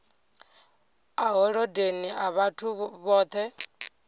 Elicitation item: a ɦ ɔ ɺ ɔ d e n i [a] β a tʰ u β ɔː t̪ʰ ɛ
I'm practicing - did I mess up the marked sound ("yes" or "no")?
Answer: no